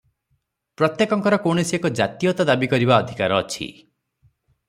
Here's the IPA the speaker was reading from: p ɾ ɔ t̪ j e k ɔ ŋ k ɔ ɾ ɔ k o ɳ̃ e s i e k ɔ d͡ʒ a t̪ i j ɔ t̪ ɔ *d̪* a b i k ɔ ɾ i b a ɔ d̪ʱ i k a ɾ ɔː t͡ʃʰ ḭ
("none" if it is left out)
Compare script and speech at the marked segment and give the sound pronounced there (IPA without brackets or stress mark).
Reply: d̪